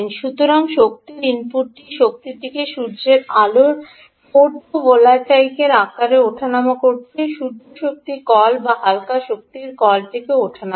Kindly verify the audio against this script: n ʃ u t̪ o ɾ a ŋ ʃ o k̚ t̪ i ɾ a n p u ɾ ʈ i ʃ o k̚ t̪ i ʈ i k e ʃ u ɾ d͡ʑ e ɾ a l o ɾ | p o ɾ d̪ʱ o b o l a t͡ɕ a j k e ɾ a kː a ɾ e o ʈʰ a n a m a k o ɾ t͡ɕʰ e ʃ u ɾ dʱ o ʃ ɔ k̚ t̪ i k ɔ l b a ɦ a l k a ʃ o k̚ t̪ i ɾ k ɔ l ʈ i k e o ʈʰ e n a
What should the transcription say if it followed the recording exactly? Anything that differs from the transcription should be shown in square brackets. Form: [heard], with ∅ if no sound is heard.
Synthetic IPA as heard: n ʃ u t̪ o ɾ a ŋ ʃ o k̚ t̪ i ɾ [i] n p u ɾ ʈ i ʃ o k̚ t̪ i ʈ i k e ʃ u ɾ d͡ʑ e ɾ a l o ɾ | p o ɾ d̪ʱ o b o l a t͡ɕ a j k e ɾ a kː a ɾ e o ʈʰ a n a m a k o ɾ t͡ɕʰ e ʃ u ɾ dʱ o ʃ [o] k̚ t̪ i k ɔ l b a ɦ a l k a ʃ o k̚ t̪ i ɾ k ɔ l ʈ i k e o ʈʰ [a] n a

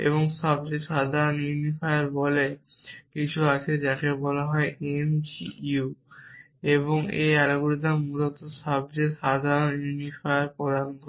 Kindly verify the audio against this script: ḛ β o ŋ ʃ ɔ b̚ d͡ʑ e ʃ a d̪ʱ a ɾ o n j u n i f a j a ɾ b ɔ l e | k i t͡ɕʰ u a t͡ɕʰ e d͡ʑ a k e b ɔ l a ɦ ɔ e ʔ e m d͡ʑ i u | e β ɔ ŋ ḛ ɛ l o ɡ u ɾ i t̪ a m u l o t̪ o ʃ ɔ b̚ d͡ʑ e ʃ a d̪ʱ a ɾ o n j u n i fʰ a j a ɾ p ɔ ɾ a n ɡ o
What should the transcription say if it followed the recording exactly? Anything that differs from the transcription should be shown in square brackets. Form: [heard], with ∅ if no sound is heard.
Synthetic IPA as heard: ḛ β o ŋ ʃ ɔ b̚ d͡ʑ e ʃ a d̪ʱ a ɾ o n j u n i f a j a ɾ b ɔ l e | k i t͡ɕʰ u a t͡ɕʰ e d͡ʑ a k e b ɔ l a ɦ ɔ e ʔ e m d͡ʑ i u | e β [o] ŋ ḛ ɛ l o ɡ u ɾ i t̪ a m u l o t̪ o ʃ ɔ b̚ d͡ʑ e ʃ a d̪ʱ a ɾ o n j u n i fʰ a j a ɾ p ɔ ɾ a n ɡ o

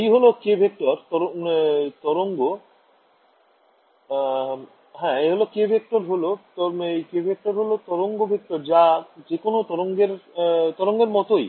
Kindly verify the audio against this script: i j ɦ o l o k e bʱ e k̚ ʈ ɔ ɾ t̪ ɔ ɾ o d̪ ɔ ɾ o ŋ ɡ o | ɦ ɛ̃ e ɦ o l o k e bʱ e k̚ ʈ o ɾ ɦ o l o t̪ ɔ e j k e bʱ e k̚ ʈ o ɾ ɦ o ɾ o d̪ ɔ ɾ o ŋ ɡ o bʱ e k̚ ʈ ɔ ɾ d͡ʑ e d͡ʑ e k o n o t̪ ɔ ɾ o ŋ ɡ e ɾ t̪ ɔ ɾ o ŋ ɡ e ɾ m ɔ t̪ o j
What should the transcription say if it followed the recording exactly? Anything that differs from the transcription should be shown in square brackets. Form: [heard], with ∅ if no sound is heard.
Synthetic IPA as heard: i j ɦ o l o k e bʱ e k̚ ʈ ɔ ɾ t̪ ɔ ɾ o [t̪] ɔ ɾ o ŋ ɡ o | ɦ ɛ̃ e ɦ o l o k e bʱ e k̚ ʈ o ɾ ɦ o l o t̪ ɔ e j k e bʱ e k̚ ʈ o ɾ ɦ o [l] o [t̪] ɔ ɾ o ŋ ɡ o bʱ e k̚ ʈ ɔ ɾ d͡ʑ [a] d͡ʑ e k o n o t̪ ɔ ɾ o ŋ ɡ e ɾ t̪ ɔ ɾ o ŋ ɡ e ɾ m ɔ t̪ o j

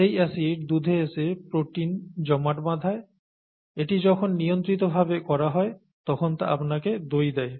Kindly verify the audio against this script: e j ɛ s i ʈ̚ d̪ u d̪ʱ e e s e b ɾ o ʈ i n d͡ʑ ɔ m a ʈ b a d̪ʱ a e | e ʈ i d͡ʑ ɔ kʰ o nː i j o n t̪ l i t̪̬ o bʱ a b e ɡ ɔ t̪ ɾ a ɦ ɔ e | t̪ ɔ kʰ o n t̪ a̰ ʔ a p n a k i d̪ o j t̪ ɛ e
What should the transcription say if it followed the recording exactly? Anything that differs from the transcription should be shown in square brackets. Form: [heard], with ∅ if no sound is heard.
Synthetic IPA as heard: e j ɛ s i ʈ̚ d̪ u d̪ʱ e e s e [p] ɾ o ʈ i n d͡ʑ ɔ m a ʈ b a d̪ʱ a e | e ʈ i d͡ʑ ɔ kʰ o nː i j o n t̪ [ɾ] i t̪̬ o bʱ a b e [k] ɔ [∅] ɾ a ɦ ɔ e | t̪ ɔ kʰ o n t̪ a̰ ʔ a p n a k [e] d̪ o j [d̪] ɛ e

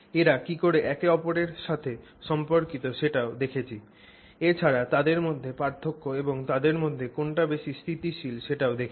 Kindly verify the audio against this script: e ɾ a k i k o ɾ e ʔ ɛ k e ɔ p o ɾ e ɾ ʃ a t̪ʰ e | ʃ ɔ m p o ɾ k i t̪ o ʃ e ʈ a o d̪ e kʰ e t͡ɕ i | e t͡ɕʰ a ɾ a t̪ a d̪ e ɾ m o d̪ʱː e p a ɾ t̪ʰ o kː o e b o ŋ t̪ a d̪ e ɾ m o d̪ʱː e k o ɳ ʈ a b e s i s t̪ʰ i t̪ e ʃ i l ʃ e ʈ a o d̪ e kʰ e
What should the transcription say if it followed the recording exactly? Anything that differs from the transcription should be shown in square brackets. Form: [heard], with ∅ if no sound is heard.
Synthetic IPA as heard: e ɾ a k i k o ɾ e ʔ ɛ k e ɔ p o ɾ e ɾ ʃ a t̪ʰ e | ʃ ɔ m p o ɾ k i t̪ o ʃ e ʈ a o d̪ e kʰ e [t͡ɕʰ] i | e t͡ɕʰ a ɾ a t̪ a d̪ e ɾ m o d̪ʱː e p a ɾ t̪ʰ o kː o e b o ŋ t̪ a d̪ e ɾ m o d̪ʱː e k o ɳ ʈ a b e [ʃ] i s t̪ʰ i t̪ [i] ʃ i l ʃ e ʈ a o d̪ e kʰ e

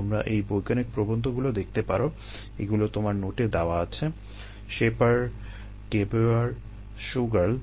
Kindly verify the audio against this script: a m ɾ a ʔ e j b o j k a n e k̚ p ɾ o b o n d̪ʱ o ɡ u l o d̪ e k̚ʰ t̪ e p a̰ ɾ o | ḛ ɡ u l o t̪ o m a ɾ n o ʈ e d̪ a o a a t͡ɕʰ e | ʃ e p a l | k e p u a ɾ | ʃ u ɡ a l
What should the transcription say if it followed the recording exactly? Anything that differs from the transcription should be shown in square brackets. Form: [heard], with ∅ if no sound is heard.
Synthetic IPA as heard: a m ɾ a ʔ e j b o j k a n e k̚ p ɾ o b o n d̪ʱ o ɡ u l o d̪ e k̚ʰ t̪ e p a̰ ɾ o | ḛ ɡ u l o t̪ o m a ɾ n o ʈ e d̪ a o a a t͡ɕʰ e | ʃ e p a [ɾ] | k e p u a ɾ | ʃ u ɡ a l

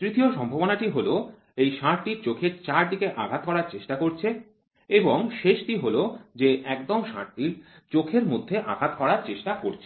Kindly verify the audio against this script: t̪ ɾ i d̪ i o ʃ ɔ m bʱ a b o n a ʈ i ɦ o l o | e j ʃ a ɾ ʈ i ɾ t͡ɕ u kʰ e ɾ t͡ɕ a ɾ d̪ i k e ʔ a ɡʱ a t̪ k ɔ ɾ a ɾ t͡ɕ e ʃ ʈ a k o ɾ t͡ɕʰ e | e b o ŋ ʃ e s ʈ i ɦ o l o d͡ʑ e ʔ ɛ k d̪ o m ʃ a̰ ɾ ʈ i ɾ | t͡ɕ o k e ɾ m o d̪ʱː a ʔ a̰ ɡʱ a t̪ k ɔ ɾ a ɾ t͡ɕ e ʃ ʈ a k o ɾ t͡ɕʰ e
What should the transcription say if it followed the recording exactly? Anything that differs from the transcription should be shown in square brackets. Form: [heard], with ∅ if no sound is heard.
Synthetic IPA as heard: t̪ ɾ i [t̪] i o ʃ ɔ m bʱ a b o n a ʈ i ɦ o l o | e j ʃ a ɾ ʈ i ɾ t͡ɕ [o] kʰ e ɾ t͡ɕ a ɾ d̪ i k e ʔ a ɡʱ a t̪ k ɔ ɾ a ɾ t͡ɕ e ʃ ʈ a k o ɾ t͡ɕʰ e | e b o ŋ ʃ e [ʃ] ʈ i ɦ o l o d͡ʑ e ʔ ɛ k d̪ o m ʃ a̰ ɾ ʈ i ɾ | t͡ɕ o [kʰ] e ɾ m o d̪ʱː [e] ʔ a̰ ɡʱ a t̪ k ɔ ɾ a ɾ t͡ɕ e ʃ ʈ a k o ɾ t͡ɕʰ e

